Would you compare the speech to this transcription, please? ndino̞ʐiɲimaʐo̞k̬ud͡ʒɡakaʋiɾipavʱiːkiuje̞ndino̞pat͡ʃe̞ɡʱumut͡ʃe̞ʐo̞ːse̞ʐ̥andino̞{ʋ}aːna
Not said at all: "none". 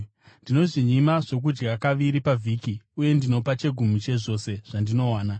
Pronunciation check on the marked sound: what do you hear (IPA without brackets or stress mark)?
w